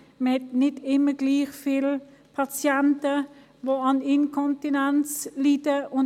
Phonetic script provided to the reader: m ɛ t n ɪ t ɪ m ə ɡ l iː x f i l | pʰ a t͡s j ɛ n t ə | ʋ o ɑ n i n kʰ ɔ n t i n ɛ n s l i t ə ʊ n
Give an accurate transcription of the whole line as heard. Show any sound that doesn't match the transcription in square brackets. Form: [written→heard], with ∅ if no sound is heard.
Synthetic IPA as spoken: m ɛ t n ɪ t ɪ m ə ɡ l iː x f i l | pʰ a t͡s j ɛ n t ə | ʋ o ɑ n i n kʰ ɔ n t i n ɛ n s l i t ə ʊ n